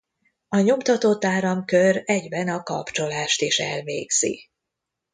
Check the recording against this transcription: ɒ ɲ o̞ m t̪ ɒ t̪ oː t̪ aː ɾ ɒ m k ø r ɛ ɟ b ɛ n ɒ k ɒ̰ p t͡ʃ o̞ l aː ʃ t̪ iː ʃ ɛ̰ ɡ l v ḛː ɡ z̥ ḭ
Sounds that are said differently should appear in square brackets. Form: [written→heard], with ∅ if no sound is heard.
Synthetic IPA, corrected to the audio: ɒ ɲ o̞ m t̪ ɒ t̪ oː t̪ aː ɾ ɒ m k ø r ɛ ɟ b ɛ n ɒ k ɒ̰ p t͡ʃ o̞ l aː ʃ t̪ [iː→i] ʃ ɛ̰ [ɡ→∅] l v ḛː ɡ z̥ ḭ